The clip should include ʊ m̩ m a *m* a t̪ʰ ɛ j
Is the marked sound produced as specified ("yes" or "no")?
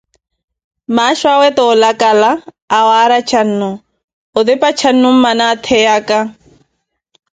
no